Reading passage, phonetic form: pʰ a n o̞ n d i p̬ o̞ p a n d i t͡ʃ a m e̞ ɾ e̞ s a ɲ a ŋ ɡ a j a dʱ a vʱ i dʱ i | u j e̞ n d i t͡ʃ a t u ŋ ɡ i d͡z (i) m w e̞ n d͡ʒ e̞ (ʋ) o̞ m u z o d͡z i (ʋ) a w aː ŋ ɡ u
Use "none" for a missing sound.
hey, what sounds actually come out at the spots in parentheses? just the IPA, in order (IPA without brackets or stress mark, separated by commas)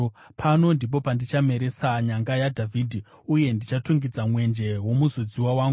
a, w, w